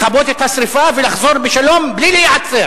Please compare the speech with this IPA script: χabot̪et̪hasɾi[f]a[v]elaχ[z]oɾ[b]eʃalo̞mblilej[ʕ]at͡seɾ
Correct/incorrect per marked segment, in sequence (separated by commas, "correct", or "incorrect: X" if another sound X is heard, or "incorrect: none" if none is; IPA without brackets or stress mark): correct, correct, correct, correct, correct